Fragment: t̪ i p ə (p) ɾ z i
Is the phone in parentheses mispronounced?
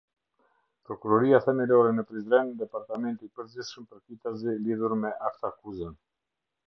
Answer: yes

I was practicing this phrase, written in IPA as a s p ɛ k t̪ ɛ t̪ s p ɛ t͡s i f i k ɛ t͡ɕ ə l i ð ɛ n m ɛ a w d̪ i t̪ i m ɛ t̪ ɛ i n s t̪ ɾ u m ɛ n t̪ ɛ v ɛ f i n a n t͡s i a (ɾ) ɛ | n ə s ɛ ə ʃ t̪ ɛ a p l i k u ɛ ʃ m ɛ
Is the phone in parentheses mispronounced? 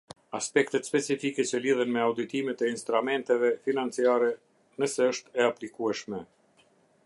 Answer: no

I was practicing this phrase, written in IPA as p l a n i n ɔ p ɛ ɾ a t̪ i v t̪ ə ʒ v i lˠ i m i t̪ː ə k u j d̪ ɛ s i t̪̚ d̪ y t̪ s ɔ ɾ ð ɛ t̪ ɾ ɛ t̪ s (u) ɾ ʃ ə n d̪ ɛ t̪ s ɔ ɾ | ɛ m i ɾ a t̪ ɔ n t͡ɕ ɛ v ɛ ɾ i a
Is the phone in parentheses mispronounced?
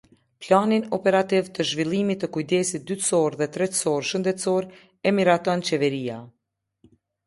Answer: yes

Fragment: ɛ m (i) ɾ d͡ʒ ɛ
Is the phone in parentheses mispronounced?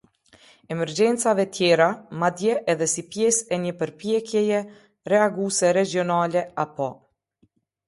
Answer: yes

